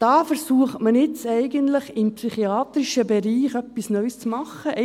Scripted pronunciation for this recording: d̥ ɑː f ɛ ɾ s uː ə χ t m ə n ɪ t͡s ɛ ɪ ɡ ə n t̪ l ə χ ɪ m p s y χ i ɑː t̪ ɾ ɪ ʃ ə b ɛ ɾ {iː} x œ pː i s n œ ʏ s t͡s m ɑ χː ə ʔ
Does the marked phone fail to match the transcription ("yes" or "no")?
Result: no